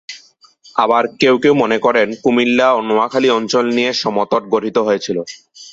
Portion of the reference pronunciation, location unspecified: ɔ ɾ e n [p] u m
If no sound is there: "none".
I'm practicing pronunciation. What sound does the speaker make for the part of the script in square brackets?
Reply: k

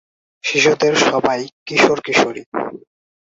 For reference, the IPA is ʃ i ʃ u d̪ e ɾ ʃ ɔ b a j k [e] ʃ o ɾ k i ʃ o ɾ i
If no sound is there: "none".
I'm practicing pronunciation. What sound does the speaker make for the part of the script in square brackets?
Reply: i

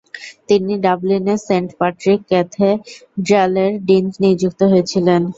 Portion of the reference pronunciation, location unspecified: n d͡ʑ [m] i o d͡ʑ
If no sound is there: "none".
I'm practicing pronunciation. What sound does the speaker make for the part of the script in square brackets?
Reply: n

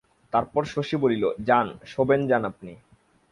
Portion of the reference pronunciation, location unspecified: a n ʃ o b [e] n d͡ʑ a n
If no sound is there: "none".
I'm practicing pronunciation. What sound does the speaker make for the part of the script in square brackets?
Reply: e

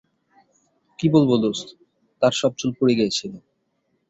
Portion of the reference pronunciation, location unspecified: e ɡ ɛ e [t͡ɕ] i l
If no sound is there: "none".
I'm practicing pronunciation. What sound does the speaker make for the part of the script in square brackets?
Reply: t͡ɕʰ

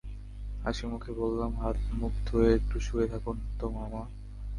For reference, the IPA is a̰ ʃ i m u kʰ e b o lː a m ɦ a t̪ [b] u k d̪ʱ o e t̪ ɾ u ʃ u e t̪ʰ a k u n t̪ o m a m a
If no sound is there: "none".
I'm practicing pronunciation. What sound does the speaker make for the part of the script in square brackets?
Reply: m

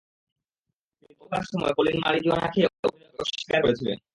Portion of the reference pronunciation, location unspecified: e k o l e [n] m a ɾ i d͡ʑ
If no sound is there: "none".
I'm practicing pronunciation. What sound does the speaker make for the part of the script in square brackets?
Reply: n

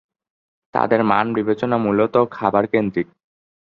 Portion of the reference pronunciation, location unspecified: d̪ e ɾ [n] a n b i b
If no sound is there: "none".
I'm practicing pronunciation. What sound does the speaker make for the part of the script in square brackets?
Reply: m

